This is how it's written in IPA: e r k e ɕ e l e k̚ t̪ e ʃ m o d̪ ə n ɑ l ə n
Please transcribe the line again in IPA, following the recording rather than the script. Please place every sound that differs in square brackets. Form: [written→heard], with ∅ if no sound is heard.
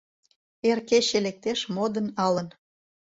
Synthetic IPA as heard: e r k e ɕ e l e k̚ t̪ e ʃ m o d̪ ə n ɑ l ə n